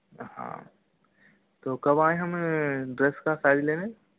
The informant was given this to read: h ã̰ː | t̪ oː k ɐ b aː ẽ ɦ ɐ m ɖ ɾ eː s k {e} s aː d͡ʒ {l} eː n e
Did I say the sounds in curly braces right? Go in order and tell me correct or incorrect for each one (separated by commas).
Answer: incorrect, correct